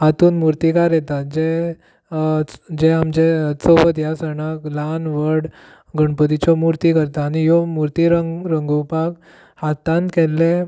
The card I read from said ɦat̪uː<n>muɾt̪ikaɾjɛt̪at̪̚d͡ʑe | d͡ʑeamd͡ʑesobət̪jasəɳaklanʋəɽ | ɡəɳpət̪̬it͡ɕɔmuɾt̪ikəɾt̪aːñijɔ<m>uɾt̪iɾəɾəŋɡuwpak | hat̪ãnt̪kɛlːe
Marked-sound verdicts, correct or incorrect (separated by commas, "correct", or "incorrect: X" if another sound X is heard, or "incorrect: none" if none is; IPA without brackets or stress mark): correct, correct